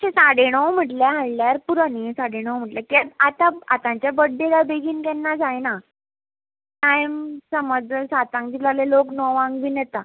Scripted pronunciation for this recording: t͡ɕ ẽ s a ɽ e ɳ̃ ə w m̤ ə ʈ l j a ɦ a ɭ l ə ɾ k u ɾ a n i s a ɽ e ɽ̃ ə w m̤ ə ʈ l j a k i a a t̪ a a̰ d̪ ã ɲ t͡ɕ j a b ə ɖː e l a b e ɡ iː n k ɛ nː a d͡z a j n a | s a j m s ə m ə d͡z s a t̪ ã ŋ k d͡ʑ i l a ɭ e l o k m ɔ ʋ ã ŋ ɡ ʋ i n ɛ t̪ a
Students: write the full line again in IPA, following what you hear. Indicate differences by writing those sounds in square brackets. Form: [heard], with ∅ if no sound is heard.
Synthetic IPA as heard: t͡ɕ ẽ s a ɽ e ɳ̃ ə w m̤ ə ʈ l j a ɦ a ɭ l [a] ɾ [p] u ɾ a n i s a ɽ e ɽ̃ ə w m̤ ə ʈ l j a k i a a t̪ a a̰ [t̪] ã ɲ t͡ɕ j a b ə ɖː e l a b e ɡ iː n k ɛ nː a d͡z a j n a | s a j m s ə m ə d͡z s a t̪ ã ŋ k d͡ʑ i l a [l] e l o k [n] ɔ ʋ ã ŋ ɡ ʋ i n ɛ t̪ a